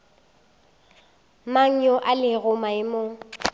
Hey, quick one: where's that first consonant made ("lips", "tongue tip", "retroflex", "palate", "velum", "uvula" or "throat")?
lips